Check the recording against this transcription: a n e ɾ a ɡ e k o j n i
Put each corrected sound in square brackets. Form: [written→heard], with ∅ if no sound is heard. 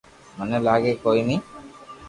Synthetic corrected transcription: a n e [ɾ→l] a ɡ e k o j n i